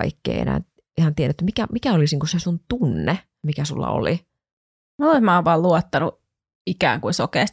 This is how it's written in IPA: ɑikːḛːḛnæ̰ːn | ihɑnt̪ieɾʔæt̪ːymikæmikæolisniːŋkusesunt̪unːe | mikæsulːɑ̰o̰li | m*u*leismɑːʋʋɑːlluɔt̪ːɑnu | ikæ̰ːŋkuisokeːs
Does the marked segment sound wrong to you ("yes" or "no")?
yes